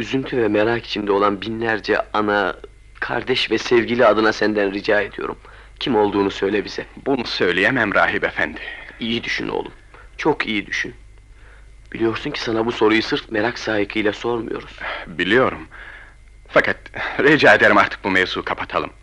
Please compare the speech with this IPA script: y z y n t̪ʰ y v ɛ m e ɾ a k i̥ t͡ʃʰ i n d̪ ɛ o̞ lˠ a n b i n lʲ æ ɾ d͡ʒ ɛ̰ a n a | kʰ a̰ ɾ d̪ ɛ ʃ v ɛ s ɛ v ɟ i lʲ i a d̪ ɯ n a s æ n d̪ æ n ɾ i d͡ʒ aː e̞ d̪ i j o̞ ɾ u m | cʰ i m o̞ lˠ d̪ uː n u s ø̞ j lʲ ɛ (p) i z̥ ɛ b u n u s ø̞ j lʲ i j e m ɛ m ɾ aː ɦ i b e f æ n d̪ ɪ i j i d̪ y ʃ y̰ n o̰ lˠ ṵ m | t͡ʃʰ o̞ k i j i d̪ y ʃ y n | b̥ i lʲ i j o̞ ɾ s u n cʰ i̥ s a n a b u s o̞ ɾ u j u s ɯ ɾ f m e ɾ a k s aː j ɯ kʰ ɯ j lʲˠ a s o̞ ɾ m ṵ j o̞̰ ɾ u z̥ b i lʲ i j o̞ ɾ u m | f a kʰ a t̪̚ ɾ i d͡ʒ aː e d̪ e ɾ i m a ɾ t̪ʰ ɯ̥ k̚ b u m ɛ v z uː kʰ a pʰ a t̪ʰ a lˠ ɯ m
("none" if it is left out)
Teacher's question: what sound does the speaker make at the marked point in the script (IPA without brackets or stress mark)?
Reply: b